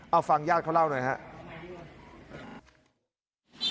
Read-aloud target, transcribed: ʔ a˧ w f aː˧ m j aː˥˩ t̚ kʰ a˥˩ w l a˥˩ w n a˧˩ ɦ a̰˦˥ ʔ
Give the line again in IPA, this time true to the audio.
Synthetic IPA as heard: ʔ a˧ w f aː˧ ŋ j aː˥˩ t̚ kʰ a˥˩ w l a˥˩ w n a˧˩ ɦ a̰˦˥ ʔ

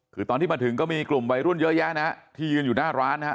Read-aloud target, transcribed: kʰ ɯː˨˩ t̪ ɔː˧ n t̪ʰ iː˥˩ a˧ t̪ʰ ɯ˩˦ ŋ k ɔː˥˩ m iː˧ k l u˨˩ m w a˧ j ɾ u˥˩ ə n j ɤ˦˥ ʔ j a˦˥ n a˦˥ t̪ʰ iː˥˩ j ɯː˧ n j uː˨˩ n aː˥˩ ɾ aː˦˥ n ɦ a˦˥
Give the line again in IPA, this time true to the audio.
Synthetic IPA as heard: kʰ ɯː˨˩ t̪ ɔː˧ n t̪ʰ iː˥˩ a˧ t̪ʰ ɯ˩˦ ŋ k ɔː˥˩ m iː˧ k l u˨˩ m w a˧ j ɾ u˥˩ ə n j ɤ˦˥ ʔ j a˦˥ n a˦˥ t̪ʰ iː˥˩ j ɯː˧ n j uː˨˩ n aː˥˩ ɾ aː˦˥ n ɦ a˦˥

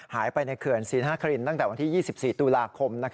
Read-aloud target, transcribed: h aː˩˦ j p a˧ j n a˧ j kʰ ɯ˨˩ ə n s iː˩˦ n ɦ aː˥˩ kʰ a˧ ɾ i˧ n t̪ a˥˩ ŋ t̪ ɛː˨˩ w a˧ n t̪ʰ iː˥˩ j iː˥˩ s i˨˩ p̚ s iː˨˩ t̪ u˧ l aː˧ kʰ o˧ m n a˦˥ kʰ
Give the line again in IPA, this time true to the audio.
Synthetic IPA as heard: h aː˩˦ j p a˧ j n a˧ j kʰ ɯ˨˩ ə n s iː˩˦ n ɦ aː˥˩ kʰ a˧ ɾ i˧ n t̪ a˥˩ ŋ t̪ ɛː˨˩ w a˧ n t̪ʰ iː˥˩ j iː˥˩ s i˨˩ p̚ s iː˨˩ t̪ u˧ l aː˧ kʰ o˧ m n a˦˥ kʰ

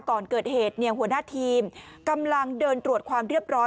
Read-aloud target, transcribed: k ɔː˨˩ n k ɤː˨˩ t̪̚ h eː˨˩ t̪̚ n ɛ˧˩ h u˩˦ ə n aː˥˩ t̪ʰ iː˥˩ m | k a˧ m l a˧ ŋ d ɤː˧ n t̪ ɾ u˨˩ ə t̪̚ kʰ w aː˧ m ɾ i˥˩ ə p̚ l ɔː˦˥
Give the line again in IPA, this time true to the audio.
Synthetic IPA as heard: k ɔː˨˩ n k ɤː˨˩ t̪̚ h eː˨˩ t̪̚ n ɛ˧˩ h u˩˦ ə n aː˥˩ t̪ʰ iː˧ m | k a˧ m l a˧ ŋ d ɤː˧ n t̪ ɾ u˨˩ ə t̪̚ kʰ w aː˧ m ɾ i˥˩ ə p̚ ɾ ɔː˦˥

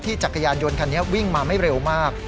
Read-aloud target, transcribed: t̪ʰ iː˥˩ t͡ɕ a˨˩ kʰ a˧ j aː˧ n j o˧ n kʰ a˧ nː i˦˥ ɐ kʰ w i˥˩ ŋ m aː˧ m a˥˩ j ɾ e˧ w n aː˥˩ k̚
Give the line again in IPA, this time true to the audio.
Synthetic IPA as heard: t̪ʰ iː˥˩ t͡ɕ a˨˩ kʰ a˧ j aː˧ n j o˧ n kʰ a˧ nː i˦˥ ɐ w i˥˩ ŋ m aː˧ m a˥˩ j ɾ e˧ w m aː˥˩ k̚

